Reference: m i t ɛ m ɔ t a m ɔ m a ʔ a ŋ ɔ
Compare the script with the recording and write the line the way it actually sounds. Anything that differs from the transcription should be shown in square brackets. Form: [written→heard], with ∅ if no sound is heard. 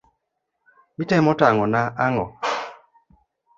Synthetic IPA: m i t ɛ m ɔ t a [m→ŋ] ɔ [m→n] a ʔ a ŋ ɔ